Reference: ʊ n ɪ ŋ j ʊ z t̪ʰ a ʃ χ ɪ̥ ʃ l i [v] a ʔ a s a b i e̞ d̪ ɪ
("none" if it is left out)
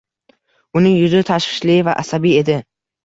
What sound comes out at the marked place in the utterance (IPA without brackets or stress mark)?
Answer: v